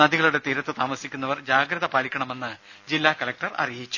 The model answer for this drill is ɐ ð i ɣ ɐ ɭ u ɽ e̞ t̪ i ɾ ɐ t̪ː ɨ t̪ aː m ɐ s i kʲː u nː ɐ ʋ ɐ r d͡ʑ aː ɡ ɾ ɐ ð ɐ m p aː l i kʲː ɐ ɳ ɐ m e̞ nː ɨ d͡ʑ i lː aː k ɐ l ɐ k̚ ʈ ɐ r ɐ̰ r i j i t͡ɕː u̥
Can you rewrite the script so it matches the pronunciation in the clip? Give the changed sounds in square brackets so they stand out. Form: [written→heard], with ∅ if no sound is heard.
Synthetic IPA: ɐ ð i ɣ ɐ ɭ u ɽ e̞ t̪ i ɾ ɐ t̪ː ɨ t̪ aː m ɐ s i kʲː u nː ɐ ʋ ɐ r d͡ʑ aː ɡ ɾ ɐ ð ɐ [m→∅] p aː l i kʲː ɐ ɳ ɐ m e̞ nː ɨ d͡ʑ i lː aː k ɐ l ɐ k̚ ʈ ɐ r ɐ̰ r i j i t͡ɕː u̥